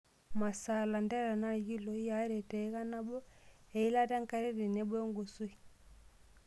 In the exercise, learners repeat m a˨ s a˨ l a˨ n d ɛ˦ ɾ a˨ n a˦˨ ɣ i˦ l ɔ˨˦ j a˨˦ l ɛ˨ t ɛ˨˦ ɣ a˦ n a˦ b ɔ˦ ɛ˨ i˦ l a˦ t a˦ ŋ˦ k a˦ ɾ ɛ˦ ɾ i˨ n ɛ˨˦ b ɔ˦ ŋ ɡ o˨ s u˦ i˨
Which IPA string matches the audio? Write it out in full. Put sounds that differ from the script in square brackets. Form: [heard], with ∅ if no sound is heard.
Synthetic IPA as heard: m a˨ s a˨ l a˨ n d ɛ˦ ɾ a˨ n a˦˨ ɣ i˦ l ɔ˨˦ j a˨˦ [ɾ] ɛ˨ t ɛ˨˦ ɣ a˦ n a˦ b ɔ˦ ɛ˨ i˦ l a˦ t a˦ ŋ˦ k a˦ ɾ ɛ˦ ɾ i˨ n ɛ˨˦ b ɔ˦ ŋ ɡ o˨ s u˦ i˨